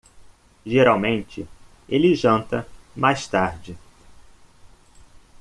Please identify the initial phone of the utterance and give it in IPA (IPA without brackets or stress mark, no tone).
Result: ʒ